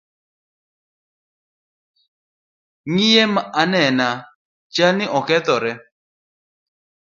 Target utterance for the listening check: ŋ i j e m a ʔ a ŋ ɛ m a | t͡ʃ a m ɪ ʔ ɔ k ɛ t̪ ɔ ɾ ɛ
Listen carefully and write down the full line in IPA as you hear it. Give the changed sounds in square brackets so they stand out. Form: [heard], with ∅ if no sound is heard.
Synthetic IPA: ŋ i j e m a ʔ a [n] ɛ [n] a | t͡ʃ a [n] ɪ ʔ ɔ k ɛ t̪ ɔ ɾ ɛ